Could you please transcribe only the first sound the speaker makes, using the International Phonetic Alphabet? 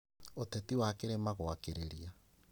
o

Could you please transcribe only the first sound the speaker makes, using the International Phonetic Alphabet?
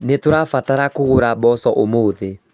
n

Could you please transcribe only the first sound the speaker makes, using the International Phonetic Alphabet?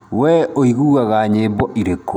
w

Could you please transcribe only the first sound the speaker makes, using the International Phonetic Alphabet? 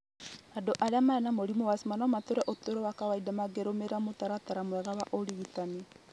a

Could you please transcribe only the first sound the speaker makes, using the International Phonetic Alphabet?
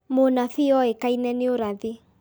m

